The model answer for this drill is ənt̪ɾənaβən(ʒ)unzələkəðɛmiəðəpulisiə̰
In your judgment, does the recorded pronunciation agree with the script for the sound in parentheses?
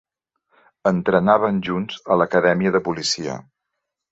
yes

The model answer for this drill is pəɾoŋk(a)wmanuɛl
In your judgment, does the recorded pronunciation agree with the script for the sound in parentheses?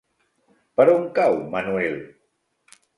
yes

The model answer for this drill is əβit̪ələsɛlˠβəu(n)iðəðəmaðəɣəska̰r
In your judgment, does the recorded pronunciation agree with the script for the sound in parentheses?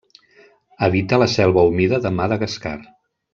no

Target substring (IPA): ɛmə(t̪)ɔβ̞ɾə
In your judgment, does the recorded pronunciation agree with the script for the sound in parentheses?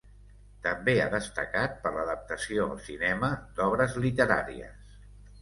no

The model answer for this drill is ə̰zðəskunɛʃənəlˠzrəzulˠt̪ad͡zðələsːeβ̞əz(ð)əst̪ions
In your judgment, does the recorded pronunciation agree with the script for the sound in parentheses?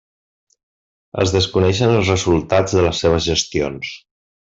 no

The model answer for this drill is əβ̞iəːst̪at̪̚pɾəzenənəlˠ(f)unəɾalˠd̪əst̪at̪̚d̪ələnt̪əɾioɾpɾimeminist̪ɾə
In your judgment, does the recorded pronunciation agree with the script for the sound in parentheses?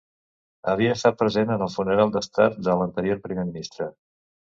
yes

